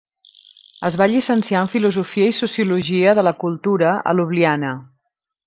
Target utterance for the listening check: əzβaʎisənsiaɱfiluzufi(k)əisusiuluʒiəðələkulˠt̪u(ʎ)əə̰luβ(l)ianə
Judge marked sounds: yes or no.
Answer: no, no, yes

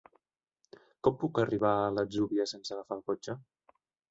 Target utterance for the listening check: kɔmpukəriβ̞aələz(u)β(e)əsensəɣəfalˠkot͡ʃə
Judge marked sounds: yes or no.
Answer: yes, no

